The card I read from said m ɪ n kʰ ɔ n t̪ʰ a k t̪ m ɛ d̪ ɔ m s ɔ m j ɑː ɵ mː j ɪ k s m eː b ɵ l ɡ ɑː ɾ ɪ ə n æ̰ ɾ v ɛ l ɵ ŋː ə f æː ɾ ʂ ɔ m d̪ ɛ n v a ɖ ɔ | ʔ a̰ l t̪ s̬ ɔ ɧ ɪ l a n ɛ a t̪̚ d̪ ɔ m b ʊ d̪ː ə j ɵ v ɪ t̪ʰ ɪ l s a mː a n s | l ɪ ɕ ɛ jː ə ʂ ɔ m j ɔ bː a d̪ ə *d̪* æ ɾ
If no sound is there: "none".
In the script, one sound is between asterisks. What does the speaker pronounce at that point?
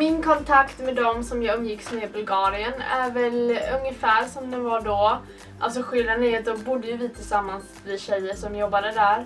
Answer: d̪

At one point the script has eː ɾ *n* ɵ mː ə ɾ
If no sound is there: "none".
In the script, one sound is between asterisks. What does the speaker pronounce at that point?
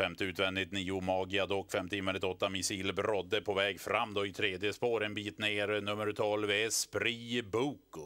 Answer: n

